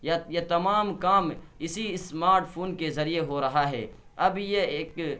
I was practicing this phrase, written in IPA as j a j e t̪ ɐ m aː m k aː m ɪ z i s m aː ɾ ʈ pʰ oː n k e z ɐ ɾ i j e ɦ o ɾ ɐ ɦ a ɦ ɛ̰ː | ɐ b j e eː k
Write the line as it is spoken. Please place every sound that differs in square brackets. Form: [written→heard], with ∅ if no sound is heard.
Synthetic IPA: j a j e t̪ ɐ m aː m k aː m ɪ [z→s] i s m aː ɾ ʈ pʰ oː n k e z ɐ ɾ i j e ɦ o ɾ ɐ ɦ a ɦ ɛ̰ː | ɐ b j e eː k